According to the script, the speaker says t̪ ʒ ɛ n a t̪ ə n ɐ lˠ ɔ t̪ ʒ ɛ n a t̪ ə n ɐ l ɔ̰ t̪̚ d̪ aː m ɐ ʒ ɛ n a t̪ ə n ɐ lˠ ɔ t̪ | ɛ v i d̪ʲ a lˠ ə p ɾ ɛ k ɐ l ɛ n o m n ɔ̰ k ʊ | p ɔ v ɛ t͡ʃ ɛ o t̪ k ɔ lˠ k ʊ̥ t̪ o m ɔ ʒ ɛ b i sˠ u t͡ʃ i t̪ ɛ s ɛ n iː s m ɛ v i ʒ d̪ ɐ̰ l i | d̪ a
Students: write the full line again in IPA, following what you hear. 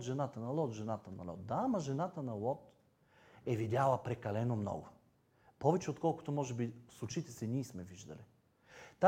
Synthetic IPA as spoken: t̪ ʒ ɛ n a t̪ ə n ɐ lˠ ɔ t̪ ʒ ɛ n a t̪ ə n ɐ l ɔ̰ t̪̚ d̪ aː m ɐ ʒ ɛ n a t̪ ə n ɐ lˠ ɔ t̪ | ɛ v i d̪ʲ a lˠ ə p ɾ ɛ k ɐ l ɛ n o m n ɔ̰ ɡ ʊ | p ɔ v ɛ t͡ʃ ɛ o t̪ k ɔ lˠ k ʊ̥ t̪ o m ɔ ʒ ɛ b i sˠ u t͡ʃ i t̪ ɛ s ɛ n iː s m ɛ v i ʒ d̪ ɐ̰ l i | t̪ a